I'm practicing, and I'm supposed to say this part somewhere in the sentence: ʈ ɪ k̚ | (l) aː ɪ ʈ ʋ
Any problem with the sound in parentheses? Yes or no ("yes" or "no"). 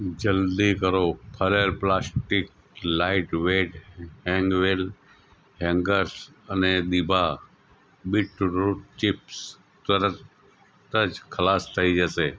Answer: no